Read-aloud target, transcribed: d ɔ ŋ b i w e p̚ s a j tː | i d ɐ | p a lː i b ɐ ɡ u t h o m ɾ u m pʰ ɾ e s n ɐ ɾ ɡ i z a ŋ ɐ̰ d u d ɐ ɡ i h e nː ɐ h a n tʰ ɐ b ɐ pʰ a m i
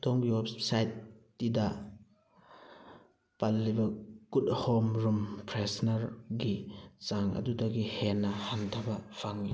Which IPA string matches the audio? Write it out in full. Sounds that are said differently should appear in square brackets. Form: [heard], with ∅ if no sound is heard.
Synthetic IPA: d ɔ ŋ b i w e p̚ s a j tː | i d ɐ | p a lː i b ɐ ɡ u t h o m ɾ u m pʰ ɾ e s n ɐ ɾ ɡ i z a ŋ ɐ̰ d u d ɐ ɡ i h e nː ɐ h a n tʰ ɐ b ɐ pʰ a [ŋ] i